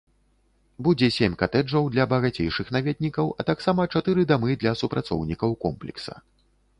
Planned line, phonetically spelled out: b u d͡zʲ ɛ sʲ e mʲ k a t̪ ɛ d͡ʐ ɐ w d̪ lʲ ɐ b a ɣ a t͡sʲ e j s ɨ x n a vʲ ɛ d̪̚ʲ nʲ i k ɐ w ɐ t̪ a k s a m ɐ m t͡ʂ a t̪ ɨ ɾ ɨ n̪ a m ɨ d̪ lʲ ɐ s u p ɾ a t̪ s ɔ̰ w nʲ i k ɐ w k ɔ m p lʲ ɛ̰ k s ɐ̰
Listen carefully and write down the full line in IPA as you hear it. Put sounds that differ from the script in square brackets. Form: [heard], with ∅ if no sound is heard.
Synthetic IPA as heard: b u d͡zʲ ɛ sʲ e mʲ k a t̪ ɛ d͡ʐ ɐ w d̪ lʲ ɐ b [ɐ] ɣ a t͡sʲ e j [ʂ] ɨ x n a vʲ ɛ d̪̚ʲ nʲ i k ɐ w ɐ t̪ a k s a m ɐ [∅] t͡ʂ a t̪ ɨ ɾ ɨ [d̪] a m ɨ d̪ lʲ ɐ s u p ɾ a t̪ s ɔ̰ w nʲ i k ɐ w k ɔ m p lʲ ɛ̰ k s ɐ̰